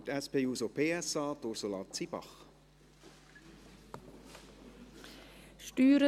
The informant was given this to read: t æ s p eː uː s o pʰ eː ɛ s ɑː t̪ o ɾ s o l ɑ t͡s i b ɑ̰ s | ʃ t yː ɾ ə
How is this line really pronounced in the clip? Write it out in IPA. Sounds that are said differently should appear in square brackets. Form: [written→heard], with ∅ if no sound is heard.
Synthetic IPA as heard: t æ s p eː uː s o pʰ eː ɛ s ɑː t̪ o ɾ s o l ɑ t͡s i b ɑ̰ [s→χ] | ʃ t yː ɾ ə